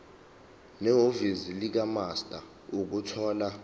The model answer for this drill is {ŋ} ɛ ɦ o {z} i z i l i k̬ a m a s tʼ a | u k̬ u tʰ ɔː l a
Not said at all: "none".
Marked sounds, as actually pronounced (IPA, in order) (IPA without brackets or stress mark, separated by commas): n, v